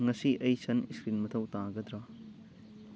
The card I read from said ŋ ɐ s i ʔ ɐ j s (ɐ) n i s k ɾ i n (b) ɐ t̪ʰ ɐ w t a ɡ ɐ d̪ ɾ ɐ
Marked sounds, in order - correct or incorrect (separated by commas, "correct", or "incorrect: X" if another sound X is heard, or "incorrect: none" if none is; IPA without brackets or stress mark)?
correct, incorrect: m